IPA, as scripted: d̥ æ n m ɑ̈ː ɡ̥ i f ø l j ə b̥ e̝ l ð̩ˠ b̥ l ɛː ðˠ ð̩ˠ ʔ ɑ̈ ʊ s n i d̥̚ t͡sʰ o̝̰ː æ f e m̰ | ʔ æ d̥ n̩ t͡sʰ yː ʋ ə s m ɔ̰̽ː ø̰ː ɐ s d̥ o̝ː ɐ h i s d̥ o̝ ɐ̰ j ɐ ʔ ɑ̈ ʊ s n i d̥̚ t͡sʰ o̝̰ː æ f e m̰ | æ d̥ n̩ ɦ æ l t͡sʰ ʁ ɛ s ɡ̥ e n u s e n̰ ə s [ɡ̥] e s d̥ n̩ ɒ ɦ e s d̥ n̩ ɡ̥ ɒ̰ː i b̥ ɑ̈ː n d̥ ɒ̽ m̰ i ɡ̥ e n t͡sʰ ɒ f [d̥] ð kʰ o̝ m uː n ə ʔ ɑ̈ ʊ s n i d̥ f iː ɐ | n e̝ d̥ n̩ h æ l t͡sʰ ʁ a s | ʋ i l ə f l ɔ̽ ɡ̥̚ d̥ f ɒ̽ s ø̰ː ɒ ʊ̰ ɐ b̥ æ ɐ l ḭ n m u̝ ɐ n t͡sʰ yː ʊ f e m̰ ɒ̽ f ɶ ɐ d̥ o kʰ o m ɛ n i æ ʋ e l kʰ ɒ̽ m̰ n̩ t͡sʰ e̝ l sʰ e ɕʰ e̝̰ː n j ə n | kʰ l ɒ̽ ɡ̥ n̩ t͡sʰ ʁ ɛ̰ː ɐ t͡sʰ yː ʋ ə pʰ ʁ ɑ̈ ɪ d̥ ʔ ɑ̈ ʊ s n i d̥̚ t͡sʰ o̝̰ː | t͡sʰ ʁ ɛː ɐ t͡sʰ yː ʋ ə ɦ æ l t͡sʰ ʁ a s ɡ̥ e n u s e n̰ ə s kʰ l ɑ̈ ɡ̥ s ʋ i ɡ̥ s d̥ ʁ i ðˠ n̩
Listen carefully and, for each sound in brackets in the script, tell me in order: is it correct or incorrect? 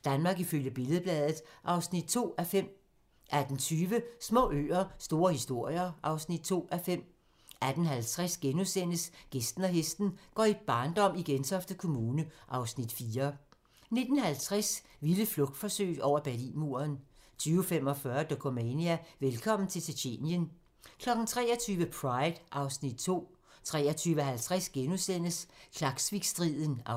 correct, correct

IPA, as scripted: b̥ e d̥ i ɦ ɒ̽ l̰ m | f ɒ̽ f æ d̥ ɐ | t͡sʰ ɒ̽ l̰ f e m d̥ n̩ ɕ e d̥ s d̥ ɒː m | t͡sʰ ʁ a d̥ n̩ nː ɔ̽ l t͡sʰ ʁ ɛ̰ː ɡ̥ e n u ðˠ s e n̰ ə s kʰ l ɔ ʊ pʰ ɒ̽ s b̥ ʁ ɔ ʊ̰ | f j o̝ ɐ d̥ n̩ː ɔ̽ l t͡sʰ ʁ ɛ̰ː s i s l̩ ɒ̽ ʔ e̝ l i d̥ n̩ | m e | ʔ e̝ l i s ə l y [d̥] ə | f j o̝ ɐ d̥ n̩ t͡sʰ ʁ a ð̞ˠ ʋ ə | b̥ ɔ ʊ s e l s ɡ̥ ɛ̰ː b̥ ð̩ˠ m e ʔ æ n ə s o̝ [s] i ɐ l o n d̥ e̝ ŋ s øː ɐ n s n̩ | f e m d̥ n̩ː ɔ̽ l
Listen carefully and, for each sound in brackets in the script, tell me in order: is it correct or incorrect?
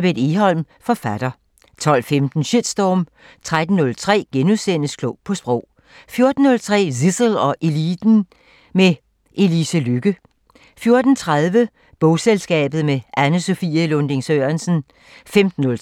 incorrect: ɡ̥, incorrect: f

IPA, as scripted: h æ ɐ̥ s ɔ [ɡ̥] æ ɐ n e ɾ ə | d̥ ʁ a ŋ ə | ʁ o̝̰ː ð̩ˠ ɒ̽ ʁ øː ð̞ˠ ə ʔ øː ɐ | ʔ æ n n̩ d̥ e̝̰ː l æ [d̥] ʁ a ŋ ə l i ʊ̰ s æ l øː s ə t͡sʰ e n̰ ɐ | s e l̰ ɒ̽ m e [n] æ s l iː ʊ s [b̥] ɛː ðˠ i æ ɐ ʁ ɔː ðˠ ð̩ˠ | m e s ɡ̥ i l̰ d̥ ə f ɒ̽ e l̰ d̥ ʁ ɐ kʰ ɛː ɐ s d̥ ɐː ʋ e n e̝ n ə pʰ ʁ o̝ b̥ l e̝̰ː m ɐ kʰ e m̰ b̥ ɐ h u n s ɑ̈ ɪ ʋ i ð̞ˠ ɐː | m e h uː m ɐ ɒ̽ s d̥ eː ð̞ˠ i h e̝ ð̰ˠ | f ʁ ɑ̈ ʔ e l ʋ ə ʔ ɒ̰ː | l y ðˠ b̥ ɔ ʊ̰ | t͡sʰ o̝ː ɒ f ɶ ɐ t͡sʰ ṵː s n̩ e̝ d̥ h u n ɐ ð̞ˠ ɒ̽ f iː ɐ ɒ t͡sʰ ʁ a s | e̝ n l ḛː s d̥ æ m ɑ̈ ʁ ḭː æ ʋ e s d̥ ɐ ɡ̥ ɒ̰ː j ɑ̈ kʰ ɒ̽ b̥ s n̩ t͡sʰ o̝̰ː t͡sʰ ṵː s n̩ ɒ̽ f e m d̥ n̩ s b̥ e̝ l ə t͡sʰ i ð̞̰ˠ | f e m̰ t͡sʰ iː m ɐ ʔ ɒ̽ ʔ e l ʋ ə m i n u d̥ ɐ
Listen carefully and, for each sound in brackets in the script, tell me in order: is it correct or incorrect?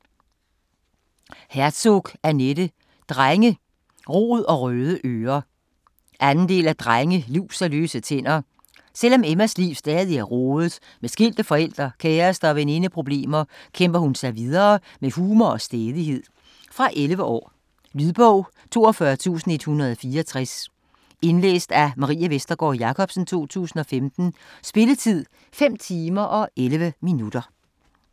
correct, correct, incorrect: m, incorrect: d̥

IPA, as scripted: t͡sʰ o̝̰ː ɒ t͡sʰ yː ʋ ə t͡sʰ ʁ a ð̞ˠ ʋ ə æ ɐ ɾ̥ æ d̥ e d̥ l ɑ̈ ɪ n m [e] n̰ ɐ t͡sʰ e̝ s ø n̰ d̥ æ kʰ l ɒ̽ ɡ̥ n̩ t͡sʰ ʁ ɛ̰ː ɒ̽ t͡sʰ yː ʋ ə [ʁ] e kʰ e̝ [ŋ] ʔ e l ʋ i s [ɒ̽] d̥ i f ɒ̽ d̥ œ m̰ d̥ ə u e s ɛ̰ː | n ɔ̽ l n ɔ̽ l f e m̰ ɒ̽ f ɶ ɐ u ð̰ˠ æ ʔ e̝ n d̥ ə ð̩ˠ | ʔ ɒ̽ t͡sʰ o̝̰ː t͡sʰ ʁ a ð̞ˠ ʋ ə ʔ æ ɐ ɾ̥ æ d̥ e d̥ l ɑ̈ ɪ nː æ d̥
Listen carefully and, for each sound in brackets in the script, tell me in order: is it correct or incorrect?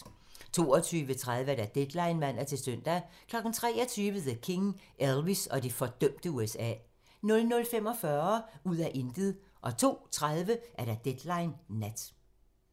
incorrect: æ, incorrect: ð, correct, correct

